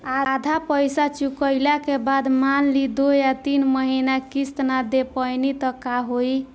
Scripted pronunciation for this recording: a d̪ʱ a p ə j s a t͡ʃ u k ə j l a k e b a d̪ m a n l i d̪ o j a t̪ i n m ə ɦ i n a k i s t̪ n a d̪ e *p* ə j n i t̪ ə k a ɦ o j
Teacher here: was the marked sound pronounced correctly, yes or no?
yes